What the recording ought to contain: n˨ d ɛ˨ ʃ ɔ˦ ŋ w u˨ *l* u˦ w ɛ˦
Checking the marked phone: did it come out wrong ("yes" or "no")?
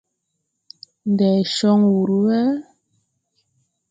yes